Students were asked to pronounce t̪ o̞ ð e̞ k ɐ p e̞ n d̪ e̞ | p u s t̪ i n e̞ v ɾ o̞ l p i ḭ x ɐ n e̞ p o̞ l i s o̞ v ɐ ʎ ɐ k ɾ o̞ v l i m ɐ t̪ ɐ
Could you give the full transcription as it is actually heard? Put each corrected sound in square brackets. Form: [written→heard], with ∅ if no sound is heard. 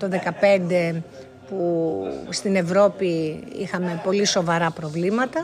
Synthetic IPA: t̪ o̞ ð e̞ k ɐ p e̞ n d̪ e̞ | p u s t̪ i n e̞ v ɾ o̞ [l→∅] p i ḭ x ɐ [n→m] e̞ p o̞ l i s o̞ v ɐ [ʎ→ɾ] ɐ [k→p] ɾ o̞ v l i m ɐ t̪ ɐ